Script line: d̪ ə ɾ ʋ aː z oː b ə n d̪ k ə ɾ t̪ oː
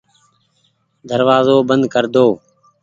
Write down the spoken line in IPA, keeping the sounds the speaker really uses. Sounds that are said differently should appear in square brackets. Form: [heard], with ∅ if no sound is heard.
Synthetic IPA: d̪ ə ɾ ʋ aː z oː b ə n d̪ k ə ɾ [d̪] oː